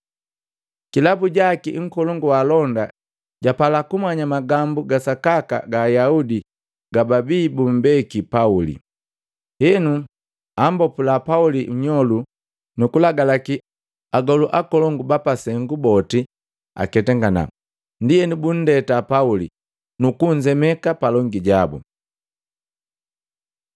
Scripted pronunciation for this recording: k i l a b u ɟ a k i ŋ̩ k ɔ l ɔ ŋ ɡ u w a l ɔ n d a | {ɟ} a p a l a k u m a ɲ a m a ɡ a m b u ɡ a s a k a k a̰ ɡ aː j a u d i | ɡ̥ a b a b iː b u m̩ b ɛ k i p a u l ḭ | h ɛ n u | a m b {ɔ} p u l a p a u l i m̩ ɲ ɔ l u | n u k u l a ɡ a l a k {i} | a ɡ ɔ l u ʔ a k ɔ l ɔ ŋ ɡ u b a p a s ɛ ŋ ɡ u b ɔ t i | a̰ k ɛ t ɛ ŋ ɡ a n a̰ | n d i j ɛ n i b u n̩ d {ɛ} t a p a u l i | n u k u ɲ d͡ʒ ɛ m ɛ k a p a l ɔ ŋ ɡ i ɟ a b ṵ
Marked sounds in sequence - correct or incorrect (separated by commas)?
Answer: correct, correct, correct, correct